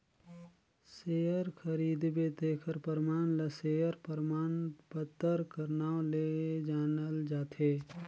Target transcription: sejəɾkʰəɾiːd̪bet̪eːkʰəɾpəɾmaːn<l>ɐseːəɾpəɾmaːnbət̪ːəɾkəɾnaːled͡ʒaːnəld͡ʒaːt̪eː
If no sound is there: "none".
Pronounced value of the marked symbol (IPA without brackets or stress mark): l